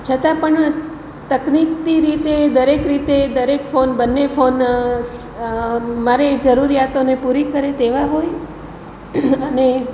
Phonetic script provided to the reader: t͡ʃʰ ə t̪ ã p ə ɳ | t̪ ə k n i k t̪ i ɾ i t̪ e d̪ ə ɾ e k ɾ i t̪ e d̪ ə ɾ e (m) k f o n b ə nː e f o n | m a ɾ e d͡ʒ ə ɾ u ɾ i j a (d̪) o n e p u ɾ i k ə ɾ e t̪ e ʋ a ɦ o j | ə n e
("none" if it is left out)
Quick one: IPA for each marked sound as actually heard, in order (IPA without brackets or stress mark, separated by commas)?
none, t̪